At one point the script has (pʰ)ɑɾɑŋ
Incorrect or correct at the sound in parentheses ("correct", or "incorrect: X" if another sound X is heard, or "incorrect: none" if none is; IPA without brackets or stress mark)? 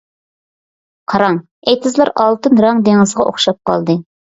incorrect: qʰ